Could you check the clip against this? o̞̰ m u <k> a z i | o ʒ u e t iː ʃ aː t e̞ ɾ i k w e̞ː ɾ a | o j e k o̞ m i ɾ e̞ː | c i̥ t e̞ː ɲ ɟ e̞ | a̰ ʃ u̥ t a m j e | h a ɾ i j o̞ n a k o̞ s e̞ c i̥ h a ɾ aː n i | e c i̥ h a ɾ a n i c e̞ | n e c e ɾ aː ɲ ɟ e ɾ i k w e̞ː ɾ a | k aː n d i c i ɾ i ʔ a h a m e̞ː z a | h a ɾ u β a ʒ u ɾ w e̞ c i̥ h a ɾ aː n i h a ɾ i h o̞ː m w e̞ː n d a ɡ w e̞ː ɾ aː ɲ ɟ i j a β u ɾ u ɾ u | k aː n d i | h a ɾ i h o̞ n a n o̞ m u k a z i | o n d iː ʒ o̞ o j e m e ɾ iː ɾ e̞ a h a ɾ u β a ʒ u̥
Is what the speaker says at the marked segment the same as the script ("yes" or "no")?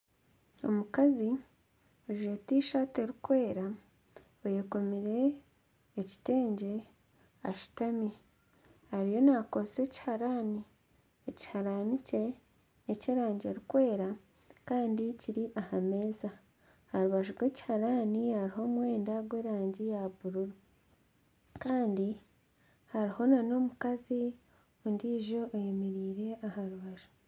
yes